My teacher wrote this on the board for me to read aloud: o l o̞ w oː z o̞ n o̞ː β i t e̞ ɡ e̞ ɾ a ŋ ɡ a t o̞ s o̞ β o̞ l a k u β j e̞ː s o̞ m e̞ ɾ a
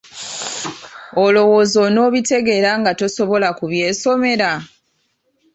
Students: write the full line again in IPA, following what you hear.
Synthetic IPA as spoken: o l o̞ w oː z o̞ n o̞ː β i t e̞ ɡ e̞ ɾ a ŋ ɡ a t o̞ s o̞ β o̞ l a k u β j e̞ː s o̞ m e̞ ɾ a